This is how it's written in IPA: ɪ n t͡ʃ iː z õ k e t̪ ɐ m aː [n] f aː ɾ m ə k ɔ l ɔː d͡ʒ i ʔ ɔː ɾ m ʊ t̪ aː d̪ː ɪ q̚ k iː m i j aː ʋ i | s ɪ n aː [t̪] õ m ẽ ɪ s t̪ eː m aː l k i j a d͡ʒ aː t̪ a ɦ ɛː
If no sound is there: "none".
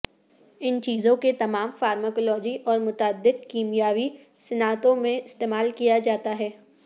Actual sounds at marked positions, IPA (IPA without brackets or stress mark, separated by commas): m, t̪